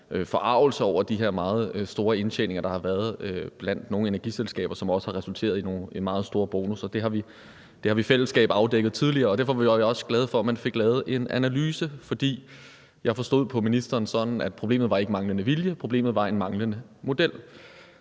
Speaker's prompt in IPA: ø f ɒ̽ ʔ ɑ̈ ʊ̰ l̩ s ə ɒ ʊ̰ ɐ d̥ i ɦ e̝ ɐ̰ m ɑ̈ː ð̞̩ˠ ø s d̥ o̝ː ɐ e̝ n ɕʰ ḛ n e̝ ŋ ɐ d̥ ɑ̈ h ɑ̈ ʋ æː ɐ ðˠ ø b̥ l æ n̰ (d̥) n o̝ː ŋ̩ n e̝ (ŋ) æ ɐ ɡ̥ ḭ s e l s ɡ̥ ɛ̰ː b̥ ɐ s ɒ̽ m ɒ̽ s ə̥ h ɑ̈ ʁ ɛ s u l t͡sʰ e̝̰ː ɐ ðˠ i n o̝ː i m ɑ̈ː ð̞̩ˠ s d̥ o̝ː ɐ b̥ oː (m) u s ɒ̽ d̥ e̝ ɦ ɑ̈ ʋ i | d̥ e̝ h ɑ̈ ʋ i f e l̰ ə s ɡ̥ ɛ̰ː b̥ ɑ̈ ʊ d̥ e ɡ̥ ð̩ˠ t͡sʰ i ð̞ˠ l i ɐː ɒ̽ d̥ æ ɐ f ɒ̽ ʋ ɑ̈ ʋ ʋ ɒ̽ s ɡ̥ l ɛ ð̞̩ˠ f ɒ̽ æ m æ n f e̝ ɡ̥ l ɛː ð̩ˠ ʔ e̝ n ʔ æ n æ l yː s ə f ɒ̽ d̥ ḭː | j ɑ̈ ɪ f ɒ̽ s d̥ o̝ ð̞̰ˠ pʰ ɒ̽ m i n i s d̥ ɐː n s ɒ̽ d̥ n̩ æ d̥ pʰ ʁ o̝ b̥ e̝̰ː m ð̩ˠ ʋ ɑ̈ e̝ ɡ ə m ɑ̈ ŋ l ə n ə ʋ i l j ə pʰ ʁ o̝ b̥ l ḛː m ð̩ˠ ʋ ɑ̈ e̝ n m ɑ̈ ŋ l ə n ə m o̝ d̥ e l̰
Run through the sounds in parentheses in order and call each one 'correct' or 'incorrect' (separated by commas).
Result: correct, incorrect, incorrect